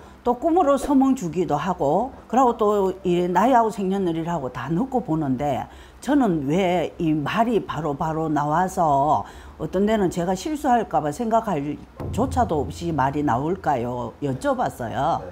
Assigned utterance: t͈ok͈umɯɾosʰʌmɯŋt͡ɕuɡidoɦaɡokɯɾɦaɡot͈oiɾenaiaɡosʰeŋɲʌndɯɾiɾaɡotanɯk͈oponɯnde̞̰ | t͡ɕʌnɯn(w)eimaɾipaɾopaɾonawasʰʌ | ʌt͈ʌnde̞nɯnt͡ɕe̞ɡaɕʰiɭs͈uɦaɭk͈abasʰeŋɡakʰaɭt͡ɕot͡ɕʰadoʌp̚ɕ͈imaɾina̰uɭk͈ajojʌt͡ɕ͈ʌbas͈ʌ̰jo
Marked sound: correct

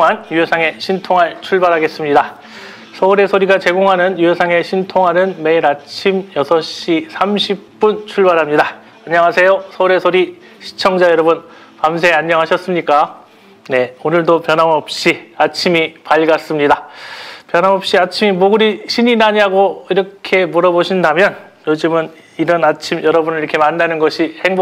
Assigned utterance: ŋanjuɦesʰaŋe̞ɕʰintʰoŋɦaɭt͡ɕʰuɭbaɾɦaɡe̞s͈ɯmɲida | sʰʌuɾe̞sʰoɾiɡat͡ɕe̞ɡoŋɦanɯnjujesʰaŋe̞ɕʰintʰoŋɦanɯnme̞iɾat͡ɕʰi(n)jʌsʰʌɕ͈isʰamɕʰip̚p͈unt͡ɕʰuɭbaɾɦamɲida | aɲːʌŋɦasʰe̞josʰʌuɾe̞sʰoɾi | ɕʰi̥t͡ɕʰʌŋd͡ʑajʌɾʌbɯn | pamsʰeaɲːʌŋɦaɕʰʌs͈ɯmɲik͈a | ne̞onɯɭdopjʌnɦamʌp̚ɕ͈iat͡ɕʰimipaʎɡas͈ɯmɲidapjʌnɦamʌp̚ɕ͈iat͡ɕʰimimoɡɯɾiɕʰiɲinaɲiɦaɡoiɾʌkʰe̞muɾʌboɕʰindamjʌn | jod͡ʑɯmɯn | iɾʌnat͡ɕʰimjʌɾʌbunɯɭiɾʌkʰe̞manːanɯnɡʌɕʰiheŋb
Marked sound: incorrect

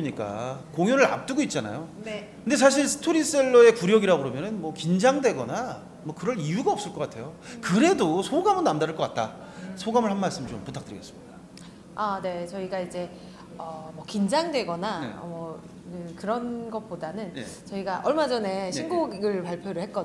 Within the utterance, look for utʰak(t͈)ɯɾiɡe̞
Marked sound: correct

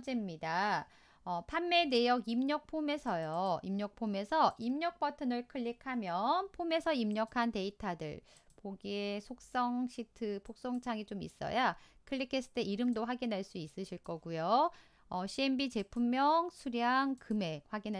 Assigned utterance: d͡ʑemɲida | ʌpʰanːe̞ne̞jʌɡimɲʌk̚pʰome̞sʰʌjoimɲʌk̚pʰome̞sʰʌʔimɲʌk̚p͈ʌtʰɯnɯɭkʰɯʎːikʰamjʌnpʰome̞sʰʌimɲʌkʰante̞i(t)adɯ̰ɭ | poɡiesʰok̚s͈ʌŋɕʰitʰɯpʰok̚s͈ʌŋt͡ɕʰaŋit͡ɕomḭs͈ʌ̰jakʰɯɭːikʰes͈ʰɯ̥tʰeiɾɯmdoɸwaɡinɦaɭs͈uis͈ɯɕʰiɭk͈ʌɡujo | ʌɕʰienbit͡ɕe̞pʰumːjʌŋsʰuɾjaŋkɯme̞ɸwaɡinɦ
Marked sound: incorrect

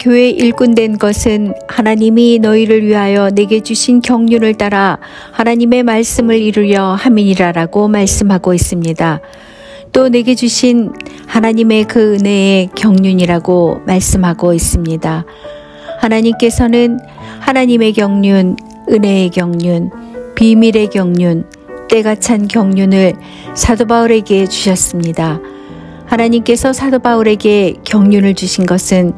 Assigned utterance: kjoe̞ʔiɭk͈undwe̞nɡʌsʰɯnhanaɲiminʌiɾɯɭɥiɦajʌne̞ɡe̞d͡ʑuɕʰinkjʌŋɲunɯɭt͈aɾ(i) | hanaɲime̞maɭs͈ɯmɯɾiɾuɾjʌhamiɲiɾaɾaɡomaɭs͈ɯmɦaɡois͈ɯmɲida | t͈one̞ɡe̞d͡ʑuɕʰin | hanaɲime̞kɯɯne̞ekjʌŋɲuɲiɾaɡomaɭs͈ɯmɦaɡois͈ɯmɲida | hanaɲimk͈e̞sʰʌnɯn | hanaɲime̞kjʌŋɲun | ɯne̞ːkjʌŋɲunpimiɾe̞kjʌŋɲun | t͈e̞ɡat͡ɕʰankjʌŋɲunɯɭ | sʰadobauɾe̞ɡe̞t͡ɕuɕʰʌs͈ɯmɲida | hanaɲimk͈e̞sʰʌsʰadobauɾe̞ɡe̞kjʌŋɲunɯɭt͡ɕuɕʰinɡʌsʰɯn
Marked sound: incorrect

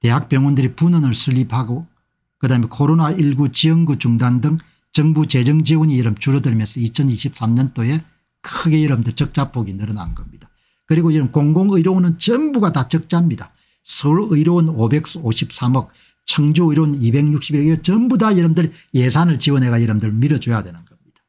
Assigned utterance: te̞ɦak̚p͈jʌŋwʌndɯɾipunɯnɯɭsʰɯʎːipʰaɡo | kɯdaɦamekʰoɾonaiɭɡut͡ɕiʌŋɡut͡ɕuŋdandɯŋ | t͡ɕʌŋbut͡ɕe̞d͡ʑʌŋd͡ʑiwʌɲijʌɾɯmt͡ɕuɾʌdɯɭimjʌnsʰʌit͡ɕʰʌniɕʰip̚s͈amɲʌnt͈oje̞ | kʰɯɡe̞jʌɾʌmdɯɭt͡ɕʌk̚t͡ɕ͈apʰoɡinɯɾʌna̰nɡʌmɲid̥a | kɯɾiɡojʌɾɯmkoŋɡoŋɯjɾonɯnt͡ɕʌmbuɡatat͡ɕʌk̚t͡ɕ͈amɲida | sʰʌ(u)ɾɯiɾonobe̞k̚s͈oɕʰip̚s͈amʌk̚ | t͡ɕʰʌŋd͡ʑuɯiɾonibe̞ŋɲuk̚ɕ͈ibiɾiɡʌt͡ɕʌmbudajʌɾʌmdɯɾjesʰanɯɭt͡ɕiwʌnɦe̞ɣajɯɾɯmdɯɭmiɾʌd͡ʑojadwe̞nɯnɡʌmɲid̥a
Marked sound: correct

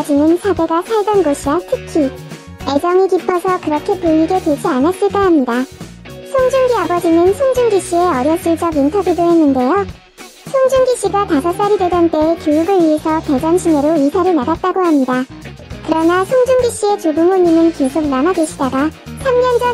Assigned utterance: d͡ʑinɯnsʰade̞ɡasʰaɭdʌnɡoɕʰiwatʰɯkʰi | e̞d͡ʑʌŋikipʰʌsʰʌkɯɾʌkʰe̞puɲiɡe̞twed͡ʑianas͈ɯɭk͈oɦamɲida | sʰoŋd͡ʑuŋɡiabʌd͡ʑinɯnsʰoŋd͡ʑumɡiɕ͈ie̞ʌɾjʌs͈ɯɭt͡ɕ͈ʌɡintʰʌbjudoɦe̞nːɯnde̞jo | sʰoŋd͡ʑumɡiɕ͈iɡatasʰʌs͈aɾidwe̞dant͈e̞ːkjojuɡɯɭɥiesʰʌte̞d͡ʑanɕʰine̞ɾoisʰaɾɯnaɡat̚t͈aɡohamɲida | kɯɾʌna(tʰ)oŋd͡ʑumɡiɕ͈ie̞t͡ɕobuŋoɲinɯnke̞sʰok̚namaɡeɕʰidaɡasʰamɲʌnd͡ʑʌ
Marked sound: incorrect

